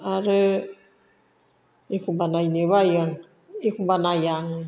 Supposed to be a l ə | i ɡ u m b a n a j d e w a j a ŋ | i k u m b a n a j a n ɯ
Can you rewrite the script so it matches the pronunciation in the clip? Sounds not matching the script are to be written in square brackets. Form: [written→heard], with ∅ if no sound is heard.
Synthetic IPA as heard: a [l→ɾ] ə | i [ɡ→k] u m b a n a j [d→n] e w a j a ŋ | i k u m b a n a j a [n→ŋ] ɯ